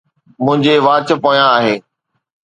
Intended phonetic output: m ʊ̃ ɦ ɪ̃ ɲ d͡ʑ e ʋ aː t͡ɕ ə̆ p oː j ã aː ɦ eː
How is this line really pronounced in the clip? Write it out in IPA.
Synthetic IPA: m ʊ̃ ɦ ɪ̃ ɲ d͡ʑ e ʋ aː t͡ɕ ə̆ p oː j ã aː ɦ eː